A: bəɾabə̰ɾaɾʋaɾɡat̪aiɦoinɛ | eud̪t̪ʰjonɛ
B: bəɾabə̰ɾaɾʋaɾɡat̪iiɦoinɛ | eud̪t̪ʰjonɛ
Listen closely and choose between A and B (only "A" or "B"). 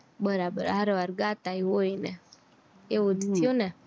A